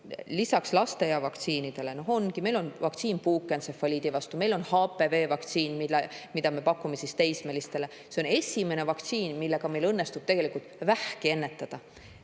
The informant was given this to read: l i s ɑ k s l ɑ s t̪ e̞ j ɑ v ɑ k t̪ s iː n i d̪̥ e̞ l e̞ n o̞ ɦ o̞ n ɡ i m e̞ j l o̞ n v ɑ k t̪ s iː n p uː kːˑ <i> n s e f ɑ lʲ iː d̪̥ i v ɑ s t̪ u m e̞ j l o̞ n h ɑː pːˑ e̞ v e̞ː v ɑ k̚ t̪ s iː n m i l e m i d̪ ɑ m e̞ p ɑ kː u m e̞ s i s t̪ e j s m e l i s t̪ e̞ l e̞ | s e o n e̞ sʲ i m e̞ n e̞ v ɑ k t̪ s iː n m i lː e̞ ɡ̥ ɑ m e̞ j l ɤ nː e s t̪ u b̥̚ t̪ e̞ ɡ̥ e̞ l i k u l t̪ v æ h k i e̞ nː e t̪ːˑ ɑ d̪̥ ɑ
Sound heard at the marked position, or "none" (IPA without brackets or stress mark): e